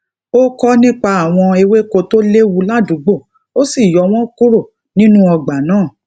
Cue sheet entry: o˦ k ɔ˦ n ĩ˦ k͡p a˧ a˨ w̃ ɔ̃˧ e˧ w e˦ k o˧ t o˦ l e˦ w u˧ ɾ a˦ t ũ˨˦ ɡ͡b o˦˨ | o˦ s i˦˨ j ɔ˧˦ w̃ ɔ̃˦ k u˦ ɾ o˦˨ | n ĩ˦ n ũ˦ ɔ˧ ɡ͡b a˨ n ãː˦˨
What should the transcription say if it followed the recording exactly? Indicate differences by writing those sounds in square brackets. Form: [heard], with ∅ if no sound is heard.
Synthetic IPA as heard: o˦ k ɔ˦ n ĩ˦ k͡p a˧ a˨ w̃ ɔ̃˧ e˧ w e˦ k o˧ t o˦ l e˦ w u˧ [l] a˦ [d] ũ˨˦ ɡ͡b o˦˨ | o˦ s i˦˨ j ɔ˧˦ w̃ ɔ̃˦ k u˦ ɾ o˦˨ | n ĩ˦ n ũ˦ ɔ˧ ɡ͡b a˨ n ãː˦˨